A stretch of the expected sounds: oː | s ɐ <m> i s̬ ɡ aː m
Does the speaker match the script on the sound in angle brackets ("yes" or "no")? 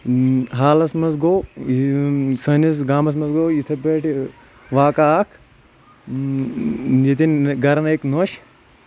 no